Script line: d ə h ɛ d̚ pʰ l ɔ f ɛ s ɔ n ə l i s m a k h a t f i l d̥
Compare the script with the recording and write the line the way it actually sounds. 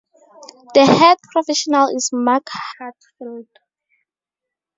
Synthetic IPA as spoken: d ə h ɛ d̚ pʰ ɹ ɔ f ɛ ʃ ɔ n a l i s m a k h a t f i l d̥